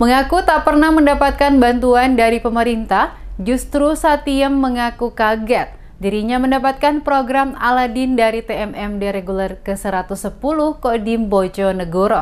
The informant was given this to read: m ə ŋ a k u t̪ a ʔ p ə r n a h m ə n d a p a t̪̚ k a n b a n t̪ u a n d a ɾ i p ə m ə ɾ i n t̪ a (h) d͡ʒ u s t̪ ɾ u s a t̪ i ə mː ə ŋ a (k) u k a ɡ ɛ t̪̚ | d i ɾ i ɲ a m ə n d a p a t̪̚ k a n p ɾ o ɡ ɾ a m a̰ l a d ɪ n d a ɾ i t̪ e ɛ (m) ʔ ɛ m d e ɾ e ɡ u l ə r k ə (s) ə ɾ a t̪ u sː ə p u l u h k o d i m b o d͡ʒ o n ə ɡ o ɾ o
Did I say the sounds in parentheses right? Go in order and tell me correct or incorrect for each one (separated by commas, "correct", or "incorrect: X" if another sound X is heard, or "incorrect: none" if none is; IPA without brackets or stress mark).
correct, correct, correct, correct